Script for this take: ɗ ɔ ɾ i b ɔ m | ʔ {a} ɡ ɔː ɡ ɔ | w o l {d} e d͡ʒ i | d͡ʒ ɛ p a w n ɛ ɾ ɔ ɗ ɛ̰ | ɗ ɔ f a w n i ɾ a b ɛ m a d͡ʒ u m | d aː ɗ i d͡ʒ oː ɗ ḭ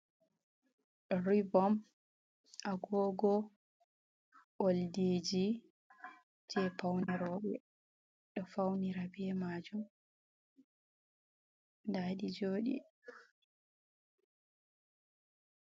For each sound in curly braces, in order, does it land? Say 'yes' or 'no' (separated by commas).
yes, yes